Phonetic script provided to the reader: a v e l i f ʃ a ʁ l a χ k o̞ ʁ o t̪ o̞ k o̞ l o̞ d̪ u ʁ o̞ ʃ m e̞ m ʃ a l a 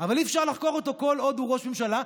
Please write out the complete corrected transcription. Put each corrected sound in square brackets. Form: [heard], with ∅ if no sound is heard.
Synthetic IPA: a v [a] l i f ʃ a ʁ l a χ k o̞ ʁ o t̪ o̞ k o̞ l o̞ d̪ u ʁ o̞ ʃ m e̞ m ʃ a l a